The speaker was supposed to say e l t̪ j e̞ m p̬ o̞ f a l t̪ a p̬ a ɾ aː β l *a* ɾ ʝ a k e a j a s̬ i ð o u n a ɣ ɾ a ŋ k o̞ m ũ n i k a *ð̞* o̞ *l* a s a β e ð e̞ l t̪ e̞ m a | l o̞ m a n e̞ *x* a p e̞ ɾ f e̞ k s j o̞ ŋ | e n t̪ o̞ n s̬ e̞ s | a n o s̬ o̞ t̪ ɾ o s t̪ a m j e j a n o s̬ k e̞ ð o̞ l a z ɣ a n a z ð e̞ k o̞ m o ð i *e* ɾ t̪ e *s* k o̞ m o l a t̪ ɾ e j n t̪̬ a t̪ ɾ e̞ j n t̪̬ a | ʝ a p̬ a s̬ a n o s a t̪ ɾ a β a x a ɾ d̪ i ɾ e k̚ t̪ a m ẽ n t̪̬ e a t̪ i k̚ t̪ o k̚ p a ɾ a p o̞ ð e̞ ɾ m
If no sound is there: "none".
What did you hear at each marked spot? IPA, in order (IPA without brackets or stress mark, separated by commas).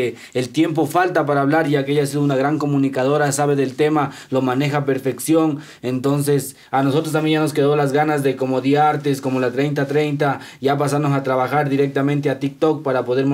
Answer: a, ð̞, ɾ, x, a, s